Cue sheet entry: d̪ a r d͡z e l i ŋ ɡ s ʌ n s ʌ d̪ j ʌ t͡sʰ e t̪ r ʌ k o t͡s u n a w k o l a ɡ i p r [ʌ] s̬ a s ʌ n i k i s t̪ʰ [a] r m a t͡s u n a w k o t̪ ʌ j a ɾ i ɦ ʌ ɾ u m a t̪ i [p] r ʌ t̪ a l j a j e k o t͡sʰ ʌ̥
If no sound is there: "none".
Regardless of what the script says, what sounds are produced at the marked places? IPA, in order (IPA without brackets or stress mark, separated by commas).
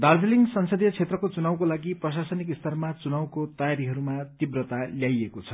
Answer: ʌ, ʌ, b